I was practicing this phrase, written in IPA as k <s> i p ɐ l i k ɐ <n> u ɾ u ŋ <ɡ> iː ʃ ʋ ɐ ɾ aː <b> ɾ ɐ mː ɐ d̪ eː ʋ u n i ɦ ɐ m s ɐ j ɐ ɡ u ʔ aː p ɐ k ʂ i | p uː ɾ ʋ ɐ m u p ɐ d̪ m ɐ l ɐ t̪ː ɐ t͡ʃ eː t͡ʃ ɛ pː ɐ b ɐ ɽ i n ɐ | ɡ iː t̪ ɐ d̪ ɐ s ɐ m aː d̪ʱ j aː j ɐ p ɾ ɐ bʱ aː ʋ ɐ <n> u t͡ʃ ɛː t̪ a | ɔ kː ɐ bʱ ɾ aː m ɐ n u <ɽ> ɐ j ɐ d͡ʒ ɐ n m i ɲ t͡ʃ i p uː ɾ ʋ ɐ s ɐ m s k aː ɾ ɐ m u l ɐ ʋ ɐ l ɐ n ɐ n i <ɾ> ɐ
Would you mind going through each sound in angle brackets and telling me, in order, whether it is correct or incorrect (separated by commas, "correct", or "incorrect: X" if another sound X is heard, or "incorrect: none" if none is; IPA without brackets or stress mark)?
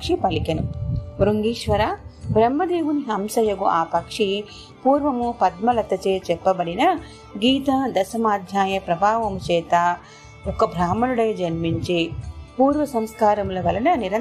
incorrect: ʂ, correct, correct, correct, incorrect: m, correct, correct